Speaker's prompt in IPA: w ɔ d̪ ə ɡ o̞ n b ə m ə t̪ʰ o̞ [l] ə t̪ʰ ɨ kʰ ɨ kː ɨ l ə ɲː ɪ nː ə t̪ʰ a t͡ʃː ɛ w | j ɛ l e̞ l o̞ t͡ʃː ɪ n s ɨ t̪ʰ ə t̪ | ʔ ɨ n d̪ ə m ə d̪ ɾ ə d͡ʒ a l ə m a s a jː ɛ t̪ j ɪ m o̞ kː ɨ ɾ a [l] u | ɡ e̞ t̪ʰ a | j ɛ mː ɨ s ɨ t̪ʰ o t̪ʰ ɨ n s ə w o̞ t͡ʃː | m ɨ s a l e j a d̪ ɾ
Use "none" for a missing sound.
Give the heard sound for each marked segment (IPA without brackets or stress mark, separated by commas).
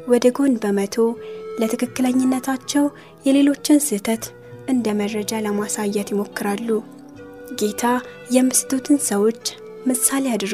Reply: l, lː